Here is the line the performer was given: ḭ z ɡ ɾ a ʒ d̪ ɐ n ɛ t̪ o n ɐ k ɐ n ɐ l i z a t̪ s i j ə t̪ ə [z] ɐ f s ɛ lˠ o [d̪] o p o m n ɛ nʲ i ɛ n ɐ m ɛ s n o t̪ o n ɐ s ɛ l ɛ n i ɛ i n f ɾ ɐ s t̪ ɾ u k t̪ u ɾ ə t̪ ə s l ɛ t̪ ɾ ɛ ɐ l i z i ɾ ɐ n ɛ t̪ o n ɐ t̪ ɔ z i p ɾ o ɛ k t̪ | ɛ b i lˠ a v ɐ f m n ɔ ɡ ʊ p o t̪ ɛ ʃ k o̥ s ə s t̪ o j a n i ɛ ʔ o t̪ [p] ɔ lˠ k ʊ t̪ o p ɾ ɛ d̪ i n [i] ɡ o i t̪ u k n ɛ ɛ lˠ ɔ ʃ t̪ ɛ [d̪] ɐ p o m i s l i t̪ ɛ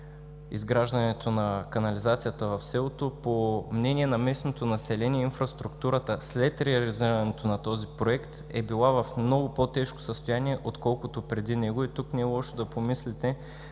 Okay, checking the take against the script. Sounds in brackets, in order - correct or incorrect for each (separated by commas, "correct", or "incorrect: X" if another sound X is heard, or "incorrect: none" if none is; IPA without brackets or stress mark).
incorrect: v, incorrect: t̪, incorrect: k, incorrect: ɛ, correct